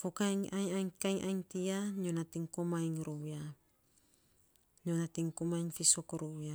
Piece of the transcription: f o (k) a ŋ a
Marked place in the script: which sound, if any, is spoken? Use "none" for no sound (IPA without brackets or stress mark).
k